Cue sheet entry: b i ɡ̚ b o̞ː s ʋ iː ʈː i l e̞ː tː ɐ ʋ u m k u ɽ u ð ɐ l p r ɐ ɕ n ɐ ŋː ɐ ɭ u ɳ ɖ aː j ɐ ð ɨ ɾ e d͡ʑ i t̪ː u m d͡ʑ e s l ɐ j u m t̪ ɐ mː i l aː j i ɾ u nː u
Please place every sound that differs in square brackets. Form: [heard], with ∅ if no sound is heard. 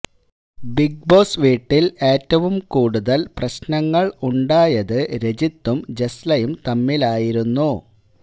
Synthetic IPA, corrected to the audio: b i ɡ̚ b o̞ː s ʋ iː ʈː i l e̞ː tː ɐ ʋ u m k [uː] ɽ u ð ɐ l p r ɐ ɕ n ɐ ŋː ɐ ɭ u ɳ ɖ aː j ɐ ð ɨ ɾ e d͡ʑ i t̪ː u m d͡ʑ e s l ɐ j u m t̪ ɐ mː i l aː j i ɾ u nː u

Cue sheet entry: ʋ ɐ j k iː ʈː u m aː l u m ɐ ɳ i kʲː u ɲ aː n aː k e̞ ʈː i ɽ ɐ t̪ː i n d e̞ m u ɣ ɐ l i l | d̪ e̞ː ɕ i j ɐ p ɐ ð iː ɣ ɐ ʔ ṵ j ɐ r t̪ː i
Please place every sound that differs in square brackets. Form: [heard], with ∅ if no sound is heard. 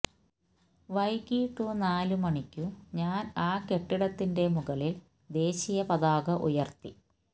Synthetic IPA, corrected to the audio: ʋ ɐ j k iː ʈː u [n] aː l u m ɐ ɳ i kʲː u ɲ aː n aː k e̞ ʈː i ɽ ɐ t̪ː i n d e̞ m u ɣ ɐ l i l | d̪ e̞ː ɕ i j ɐ p ɐ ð [aː] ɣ ɐ ʔ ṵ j ɐ r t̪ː i

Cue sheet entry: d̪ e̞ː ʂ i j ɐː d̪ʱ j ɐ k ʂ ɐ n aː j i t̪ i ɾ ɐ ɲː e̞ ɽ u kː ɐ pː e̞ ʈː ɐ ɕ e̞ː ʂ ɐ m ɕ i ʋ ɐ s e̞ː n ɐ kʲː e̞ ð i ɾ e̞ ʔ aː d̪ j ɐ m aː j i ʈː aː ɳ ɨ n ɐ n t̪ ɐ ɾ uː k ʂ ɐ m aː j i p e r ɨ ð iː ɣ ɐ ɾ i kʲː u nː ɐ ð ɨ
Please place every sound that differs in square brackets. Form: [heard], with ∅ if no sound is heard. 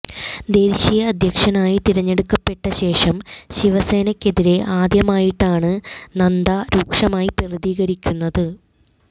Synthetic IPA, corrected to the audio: d̪ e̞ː [ɕ] i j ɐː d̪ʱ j ɐ k ʂ ɐ n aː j i t̪ i ɾ ɐ ɲː e̞ ɽ u kː ɐ pː e̞ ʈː ɐ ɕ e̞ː ʂ ɐ m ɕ i ʋ ɐ s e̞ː n ɐ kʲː e̞ ð i ɾ e̞ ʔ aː d̪ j ɐ m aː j i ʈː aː ɳ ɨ n ɐ n [d̪] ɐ ɾ uː k ʂ ɐ m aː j i p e r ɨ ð iː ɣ ɐ ɾ i kʲː u nː ɐ ð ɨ

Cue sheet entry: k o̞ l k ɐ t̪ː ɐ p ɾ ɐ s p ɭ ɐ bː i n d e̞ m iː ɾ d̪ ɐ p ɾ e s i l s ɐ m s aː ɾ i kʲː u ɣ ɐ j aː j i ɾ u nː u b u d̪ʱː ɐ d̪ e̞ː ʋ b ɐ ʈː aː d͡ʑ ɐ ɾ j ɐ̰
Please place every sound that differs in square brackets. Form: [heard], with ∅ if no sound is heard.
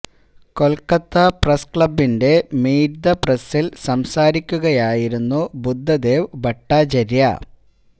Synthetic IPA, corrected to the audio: k o̞ l k ɐ t̪ː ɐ p [r] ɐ s [k] ɭ ɐ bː i n d e̞ m iː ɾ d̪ ɐ p [r] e s i l s ɐ m s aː ɾ i kʲː u ɣ ɐ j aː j i ɾ u nː u b u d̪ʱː ɐ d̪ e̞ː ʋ b ɐ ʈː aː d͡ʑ ɐ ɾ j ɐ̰

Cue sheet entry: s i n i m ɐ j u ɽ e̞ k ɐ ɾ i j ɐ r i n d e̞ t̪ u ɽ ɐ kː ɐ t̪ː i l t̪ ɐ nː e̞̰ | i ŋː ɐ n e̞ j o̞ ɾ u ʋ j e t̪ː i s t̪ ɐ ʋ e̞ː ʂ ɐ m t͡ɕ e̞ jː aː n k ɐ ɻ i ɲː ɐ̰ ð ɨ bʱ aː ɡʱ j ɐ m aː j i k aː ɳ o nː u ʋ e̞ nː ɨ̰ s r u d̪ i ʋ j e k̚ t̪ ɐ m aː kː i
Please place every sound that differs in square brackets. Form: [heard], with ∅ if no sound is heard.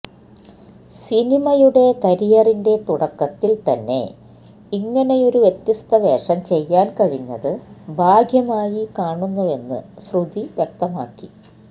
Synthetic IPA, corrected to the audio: s i n i m ɐ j u ɽ e̞ k ɐ ɾ i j ɐ r i n d e̞ t̪ u ɽ ɐ kː ɐ t̪ː i l t̪ ɐ nː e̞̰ | i ŋː ɐ n e̞ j o̞ ɾ u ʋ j e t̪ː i s t̪ ɐ ʋ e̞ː ʂ ɐ m t͡ɕ e̞ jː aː n k ɐ ɻ i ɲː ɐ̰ ð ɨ bʱ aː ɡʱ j ɐ m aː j i k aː ɳ [u] nː u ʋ e̞ nː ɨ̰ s r u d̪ i ʋ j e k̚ t̪ ɐ m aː kː i

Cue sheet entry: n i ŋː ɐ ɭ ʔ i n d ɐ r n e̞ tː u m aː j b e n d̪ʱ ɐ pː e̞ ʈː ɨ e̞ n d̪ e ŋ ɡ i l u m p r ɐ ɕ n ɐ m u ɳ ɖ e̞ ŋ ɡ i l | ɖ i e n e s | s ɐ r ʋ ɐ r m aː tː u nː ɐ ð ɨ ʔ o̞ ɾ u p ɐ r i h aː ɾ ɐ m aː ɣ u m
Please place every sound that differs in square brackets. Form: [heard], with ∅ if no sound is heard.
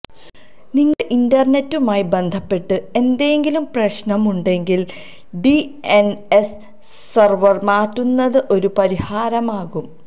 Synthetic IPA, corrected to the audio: n i ŋː ɐ ɭ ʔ i n d ɐ r n e̞ tː u m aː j b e n d̪ʱ ɐ pː e̞ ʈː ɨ e̞ n d̪ e ŋ ɡ i l u m p r ɐ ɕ n ɐ m u ɳ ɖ e̞ ŋ ɡ i l | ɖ i e n e s | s ɐ r ʋ ɐ r m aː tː u nː ɐ ð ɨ ʔ o̞ ɾ u p ɐ [ɾ] i h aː ɾ ɐ m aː ɣ u m

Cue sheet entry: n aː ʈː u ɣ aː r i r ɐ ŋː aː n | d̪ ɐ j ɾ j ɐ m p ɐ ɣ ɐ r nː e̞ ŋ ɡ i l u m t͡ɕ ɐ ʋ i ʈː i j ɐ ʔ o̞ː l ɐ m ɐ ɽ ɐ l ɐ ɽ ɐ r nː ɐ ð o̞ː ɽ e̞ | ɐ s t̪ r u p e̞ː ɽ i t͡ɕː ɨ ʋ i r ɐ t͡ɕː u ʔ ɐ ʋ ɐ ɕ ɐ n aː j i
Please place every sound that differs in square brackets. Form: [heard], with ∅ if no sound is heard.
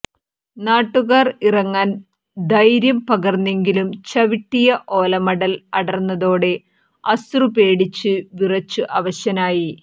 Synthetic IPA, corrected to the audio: n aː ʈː u ɣ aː r i r ɐ ŋː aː n | d̪ ɐ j ɾ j ɐ m p ɐ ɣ ɐ r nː e̞ ŋ ɡ i l u m t͡ɕ ɐ ʋ i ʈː i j ɐ ʔ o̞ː l ɐ m ɐ ɽ ɐ l ɐ ɽ ɐ r nː ɐ ð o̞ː ɽ e̞ | ɐ s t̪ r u p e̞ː ɽ i t͡ɕː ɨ ʋ i r ɐ t͡ɕː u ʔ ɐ ʋ ɐ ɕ ɐ n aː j i

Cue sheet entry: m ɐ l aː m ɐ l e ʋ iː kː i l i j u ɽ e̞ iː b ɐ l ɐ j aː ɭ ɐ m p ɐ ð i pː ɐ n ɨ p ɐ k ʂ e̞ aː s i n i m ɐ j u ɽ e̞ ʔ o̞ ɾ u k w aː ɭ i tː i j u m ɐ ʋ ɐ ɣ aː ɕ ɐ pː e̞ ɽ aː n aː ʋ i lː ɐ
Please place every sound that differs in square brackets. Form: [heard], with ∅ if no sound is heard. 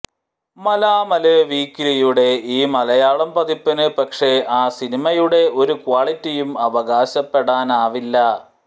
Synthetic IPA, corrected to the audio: m ɐ l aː m ɐ l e ʋ iː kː i l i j u ɽ e̞ iː [m] ɐ l ɐ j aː ɭ ɐ m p ɐ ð i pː ɐ n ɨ p ɐ k ʂ e̞ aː s i n i m ɐ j u ɽ e̞ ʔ o̞ ɾ u k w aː ɭ i tː i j u m ɐ ʋ ɐ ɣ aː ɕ ɐ pː e̞ ɽ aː n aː ʋ i lː ɐ

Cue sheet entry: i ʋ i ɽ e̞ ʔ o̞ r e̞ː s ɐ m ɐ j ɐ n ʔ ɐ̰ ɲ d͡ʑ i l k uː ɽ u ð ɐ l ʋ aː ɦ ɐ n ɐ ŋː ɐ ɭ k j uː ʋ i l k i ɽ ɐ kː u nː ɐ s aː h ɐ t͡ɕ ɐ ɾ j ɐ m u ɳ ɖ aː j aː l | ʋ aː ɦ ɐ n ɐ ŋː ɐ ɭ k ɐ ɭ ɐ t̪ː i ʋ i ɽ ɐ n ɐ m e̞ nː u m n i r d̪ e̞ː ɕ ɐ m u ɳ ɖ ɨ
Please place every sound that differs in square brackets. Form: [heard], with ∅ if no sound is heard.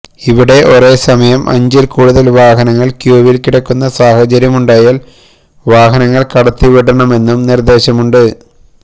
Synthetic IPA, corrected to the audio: i ʋ i ɽ e̞ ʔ o̞ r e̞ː s ɐ m ɐ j ɐ [m] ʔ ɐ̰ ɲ d͡ʑ i l k uː ɽ u ð ɐ l ʋ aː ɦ ɐ n ɐ ŋː ɐ ɭ k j uː ʋ i l k i ɽ ɐ kː u nː ɐ s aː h ɐ t͡ɕ ɐ ɾ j ɐ m u ɳ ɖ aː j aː l | ʋ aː ɦ ɐ n ɐ ŋː ɐ ɭ k ɐ [ɽ] ɐ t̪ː i ʋ i ɽ ɐ [ɳ] ɐ m e̞ nː u m n i r d̪ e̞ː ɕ ɐ m u ɳ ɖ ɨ

